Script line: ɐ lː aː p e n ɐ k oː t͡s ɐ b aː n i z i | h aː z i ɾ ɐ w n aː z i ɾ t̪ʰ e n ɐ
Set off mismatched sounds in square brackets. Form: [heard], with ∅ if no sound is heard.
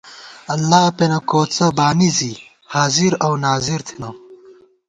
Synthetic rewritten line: ɐ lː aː p e n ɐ k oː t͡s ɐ b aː n i z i | h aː z i ɾ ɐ w n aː z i ɾ t̪ʰ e n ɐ